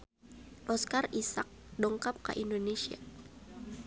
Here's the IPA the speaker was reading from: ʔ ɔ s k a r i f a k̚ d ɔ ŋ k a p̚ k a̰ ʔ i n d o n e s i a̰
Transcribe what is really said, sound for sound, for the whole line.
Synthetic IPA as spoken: ʔ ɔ s k a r i s a k̚ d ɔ ŋ k a p̚ k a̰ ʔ i n d o n e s i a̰